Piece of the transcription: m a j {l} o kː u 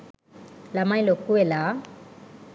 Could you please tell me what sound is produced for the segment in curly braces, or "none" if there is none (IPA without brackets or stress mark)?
l